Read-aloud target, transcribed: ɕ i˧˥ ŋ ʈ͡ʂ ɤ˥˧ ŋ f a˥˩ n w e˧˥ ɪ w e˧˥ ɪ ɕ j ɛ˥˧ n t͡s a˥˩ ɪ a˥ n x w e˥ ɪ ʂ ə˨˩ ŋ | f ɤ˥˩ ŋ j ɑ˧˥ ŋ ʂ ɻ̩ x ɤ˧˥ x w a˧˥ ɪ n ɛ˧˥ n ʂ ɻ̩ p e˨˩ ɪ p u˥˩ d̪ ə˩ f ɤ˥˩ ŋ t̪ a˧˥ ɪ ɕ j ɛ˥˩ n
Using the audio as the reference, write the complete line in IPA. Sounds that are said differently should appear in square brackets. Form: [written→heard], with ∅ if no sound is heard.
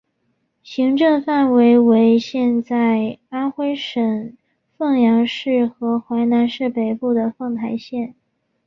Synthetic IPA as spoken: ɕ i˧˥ ŋ ʈ͡ʂ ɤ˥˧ ŋ f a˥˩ n w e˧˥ ɪ w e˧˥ ɪ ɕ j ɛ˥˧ n t͡s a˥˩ ɪ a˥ n x w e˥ ɪ ʂ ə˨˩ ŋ | f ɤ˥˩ ŋ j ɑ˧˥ ŋ ʂ ɻ̩ x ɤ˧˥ x w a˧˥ ɪ n [ɛ˧˥→a˧˥] n ʂ ɻ̩ p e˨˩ ɪ p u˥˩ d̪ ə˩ f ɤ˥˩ ŋ [t̪→t̪ʰ] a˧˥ ɪ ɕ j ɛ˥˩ n